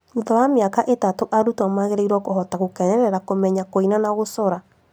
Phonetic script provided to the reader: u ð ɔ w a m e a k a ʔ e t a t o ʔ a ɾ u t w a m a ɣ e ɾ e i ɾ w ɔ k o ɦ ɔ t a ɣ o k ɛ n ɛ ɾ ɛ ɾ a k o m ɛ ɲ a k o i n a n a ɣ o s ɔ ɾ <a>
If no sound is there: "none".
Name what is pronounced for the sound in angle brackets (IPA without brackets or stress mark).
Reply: a